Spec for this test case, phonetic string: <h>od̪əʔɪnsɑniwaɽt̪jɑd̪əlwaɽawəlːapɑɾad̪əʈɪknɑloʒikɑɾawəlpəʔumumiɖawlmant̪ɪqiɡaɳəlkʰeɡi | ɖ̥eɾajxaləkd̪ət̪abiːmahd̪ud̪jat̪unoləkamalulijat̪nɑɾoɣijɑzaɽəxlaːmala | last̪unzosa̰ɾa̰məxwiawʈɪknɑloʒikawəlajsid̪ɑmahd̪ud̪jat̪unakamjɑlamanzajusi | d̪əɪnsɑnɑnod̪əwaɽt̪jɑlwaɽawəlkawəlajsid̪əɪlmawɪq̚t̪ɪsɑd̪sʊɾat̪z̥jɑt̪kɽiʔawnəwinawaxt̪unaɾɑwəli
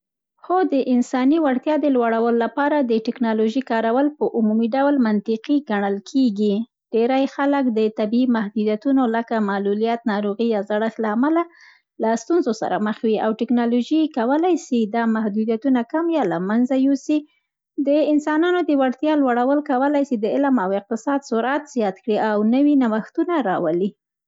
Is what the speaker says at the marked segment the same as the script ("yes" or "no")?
no